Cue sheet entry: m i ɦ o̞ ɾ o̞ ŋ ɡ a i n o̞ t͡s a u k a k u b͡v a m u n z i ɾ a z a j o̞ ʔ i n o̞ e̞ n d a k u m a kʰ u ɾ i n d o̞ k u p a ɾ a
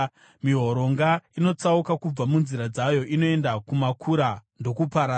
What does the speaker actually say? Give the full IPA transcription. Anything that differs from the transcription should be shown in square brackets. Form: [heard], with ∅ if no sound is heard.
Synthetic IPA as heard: m i ɦ o̞ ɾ o̞ ŋ ɡ a i n o̞ t͡s a u k a k u b͡v a m u n z i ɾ a [d͡z] a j o̞ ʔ i n o̞ e̞ n d a k u m a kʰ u ɾ [a] n d o̞ k u p a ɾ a